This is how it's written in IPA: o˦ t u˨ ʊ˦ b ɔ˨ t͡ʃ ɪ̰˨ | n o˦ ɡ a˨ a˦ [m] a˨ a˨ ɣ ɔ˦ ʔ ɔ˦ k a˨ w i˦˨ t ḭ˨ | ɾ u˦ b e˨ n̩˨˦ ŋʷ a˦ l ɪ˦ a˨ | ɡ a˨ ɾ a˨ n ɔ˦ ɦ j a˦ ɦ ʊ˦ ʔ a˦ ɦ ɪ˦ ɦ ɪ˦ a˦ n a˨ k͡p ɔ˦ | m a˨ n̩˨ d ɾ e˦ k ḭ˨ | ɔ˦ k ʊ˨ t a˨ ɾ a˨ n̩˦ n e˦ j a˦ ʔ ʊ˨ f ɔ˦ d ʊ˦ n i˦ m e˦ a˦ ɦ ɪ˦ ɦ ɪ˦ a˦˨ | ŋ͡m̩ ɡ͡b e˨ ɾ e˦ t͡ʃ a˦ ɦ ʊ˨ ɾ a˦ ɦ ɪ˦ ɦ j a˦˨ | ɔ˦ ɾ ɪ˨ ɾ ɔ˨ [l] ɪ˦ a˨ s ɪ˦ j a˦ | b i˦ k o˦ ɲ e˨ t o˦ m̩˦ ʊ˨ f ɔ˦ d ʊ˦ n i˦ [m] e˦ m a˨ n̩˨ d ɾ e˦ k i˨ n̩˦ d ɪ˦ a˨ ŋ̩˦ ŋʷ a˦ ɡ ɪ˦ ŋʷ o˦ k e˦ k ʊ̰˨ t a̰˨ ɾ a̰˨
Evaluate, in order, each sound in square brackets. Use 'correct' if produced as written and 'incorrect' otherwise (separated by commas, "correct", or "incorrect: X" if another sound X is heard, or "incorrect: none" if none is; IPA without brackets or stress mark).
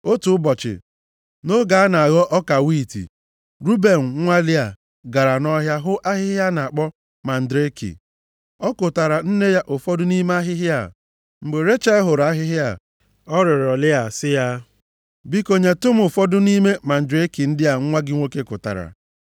incorrect: n, correct, correct